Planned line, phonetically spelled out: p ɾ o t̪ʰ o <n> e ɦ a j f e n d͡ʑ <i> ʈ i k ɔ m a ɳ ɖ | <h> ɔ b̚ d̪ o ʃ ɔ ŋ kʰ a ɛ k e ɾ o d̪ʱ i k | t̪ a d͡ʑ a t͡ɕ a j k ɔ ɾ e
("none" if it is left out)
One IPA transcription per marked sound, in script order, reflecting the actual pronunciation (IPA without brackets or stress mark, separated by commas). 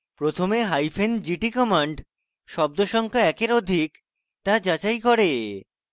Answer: m, i, ʃ